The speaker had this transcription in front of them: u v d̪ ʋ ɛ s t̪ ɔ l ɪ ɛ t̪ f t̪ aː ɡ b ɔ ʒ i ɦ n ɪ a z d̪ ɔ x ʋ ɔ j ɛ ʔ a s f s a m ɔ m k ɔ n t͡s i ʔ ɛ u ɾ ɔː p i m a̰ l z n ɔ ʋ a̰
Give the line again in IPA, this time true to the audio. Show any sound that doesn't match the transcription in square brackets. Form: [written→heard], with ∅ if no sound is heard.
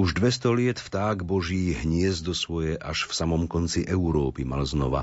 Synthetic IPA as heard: u [v→ʒ] d̪ ʋ ɛ s t̪ ɔ l ɪ ɛ t̪ f t̪ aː ɡ b ɔ ʒ [i→iː] ɦ [n→ɲ] ɪ [a→ɛ] z d̪ ɔ [x→s] ʋ ɔ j ɛ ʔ a [s→ʃ] f s a m ɔ m k ɔ n t͡s i ʔ ɛ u ɾ ɔː p i m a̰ l z n ɔ ʋ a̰